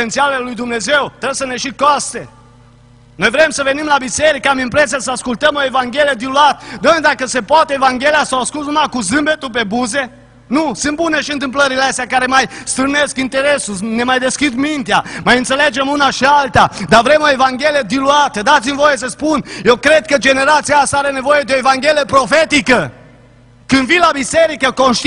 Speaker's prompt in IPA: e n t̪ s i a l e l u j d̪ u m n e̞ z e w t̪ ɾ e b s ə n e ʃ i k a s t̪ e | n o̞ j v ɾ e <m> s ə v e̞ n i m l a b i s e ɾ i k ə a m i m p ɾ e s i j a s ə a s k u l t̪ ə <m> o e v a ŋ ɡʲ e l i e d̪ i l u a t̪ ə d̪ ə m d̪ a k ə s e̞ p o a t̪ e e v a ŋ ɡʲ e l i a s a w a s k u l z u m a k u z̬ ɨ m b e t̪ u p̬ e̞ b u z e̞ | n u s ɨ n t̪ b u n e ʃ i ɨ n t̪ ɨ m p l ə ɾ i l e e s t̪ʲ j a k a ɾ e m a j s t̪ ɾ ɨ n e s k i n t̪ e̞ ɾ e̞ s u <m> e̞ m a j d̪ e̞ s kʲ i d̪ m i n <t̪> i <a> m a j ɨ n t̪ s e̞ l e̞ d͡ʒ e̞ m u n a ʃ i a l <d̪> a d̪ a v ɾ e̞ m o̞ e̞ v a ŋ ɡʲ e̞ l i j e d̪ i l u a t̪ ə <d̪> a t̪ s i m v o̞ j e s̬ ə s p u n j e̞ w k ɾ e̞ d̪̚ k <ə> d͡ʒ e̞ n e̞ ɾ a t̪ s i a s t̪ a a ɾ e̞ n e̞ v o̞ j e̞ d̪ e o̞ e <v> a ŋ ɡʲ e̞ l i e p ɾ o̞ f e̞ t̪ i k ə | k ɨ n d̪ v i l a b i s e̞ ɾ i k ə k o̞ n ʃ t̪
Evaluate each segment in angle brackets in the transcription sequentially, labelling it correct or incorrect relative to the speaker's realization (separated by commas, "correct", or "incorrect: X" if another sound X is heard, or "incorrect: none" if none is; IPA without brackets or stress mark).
correct, correct, incorrect: n, correct, correct, incorrect: t̪, correct, correct, correct